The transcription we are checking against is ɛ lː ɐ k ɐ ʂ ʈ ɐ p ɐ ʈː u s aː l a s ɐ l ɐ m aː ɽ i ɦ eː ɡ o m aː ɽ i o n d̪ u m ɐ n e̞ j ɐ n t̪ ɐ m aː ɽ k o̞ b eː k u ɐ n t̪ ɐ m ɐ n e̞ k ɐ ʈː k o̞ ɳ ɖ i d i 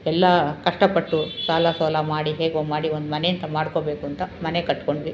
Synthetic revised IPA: ɛ lː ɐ k ɐ ʂ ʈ ɐ p ɐ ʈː u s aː l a s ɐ l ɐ m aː ɽ i ɦ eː ɡ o m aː ɽ i o n d̪ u m ɐ n e̞ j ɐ n t̪ ɐ m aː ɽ k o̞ b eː k u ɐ n t̪ ɐ m ɐ n e̞ k ɐ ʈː k o̞ ɳ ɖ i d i